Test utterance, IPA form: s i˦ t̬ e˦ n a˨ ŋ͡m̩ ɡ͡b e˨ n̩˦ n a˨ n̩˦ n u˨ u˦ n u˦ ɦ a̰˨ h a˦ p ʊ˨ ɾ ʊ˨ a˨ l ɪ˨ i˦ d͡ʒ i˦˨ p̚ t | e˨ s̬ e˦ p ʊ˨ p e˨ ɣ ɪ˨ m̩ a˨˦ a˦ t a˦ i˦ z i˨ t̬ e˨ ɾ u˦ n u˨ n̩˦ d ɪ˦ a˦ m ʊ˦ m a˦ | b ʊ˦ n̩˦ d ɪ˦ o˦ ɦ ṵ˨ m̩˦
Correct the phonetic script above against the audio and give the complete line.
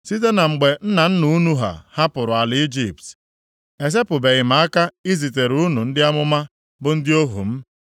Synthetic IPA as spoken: s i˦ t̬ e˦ n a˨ ŋ͡m̩ ɡ͡b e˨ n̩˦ n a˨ n̩˦ n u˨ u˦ n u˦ ɦ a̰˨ h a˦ p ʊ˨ ɾ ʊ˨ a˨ l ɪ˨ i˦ d͡ʒ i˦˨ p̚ t | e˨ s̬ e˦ p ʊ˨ b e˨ ɣ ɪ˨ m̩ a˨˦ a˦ k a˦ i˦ z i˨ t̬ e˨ ɾ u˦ n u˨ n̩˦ d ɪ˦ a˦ m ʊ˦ m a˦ | b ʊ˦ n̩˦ d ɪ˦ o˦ ɦ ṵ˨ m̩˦